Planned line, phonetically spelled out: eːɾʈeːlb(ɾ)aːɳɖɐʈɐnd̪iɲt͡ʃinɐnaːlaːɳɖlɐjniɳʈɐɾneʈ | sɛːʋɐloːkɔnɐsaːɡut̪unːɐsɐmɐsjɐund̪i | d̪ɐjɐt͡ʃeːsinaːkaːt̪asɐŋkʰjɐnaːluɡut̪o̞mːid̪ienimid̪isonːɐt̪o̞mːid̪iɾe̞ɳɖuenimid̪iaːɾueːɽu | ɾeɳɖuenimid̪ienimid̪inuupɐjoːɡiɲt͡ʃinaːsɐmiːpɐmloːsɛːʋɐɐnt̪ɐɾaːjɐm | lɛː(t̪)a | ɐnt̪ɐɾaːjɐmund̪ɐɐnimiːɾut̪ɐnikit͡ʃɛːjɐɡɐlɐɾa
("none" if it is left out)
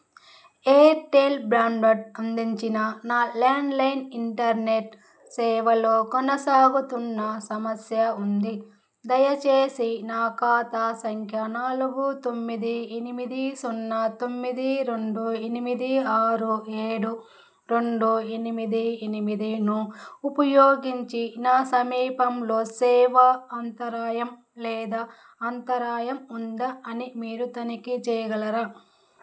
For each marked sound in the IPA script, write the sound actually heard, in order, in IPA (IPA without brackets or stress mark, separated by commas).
ɾ, d̪